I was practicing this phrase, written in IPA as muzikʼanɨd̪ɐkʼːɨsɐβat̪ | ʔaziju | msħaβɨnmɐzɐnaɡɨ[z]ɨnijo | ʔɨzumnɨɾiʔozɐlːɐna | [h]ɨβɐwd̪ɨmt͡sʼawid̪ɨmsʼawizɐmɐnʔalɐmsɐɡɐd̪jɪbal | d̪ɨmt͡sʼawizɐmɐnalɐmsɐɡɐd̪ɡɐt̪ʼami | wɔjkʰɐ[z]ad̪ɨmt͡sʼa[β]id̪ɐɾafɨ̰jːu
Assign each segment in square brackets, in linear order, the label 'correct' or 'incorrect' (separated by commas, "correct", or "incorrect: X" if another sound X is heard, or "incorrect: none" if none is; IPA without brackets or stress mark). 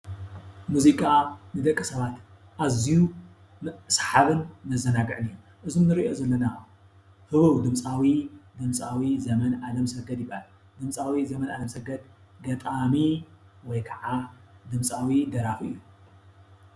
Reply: incorrect: ʕ, correct, incorrect: ʕ, incorrect: w